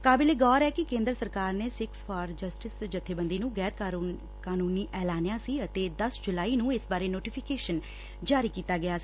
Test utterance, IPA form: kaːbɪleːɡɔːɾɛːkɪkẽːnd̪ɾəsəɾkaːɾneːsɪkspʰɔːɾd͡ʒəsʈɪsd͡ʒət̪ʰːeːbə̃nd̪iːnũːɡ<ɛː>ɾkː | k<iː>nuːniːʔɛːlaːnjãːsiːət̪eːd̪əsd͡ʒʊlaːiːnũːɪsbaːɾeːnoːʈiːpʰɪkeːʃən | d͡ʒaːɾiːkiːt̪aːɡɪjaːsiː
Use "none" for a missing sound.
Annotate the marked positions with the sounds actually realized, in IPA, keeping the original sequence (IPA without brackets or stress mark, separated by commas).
ɛː, aː